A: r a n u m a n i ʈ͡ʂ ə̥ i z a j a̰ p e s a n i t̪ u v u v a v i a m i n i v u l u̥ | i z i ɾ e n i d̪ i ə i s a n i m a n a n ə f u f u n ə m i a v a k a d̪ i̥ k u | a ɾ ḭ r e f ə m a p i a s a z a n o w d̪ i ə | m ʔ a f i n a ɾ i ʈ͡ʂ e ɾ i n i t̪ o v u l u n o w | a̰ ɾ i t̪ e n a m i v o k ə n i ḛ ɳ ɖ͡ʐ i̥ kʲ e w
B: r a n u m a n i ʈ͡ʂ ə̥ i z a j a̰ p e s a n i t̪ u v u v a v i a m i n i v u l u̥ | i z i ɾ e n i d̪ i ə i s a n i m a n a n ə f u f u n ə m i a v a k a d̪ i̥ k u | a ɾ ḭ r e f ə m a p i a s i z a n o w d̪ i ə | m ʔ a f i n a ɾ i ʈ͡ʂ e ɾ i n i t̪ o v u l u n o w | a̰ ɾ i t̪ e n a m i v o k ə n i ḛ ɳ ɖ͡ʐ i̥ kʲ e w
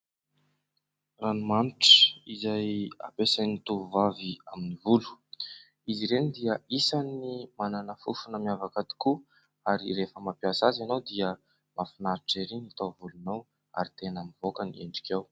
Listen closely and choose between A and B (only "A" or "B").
A